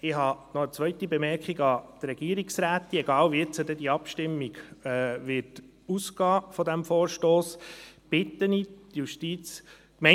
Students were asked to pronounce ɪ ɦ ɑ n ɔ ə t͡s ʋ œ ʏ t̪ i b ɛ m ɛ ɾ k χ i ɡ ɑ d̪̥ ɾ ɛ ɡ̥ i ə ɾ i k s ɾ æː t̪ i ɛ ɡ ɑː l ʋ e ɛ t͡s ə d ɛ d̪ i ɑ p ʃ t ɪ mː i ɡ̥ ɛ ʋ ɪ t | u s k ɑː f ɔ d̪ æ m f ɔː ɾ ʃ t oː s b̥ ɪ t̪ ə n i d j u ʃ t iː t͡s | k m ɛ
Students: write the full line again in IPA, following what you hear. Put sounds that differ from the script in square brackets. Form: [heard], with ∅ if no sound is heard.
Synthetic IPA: ɪ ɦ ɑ n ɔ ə t͡s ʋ œ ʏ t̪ i b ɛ m ɛ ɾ k χ i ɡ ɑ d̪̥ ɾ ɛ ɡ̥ i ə ɾ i k s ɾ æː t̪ i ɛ ɡ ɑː l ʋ [i] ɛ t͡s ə d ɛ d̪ i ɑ p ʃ t ɪ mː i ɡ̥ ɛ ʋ ɪ t | u s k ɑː f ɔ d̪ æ m f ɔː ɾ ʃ t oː s b̥ ɪ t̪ ə n i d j u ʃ t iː t͡s | k m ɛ